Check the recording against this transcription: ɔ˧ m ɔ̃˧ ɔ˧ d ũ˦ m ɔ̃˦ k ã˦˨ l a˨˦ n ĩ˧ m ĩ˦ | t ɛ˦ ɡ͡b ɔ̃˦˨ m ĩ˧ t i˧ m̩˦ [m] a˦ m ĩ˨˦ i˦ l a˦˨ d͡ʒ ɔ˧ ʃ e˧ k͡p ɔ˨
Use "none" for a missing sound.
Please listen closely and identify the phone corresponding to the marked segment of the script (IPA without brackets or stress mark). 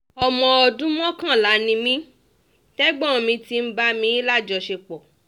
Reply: b